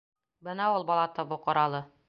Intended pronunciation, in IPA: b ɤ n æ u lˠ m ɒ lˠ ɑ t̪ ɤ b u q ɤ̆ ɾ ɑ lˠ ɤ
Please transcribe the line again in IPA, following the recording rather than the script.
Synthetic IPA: b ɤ n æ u lˠ b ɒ lˠ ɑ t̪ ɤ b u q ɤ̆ ɾ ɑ lˠ ɤ